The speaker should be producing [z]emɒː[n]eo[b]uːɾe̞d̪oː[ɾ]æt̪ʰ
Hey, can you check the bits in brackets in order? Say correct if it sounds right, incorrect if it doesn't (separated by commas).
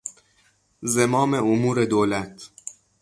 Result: correct, incorrect, incorrect, incorrect